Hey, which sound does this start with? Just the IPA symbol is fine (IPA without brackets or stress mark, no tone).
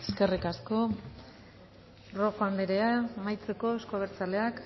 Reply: e